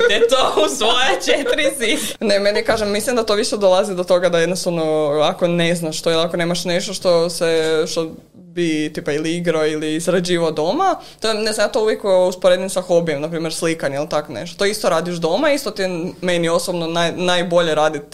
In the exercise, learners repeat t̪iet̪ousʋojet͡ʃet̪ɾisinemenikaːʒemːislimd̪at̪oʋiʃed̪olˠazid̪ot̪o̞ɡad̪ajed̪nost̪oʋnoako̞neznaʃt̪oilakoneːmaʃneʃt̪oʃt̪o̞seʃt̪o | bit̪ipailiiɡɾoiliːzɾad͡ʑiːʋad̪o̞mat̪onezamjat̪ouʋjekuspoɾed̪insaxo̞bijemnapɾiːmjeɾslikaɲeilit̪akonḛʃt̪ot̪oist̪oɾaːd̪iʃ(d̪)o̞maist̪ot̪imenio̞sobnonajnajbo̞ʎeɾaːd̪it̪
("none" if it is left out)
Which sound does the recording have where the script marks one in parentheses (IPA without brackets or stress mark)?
d̪